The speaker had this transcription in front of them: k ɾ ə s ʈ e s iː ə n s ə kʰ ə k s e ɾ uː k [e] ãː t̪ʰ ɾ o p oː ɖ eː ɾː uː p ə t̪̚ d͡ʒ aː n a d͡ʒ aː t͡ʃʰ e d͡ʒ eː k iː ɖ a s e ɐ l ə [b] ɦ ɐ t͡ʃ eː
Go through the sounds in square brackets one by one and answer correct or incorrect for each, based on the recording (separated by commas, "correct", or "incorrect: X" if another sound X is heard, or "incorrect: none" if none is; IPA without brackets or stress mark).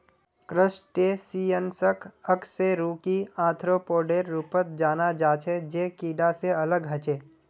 incorrect: i, incorrect: ɡ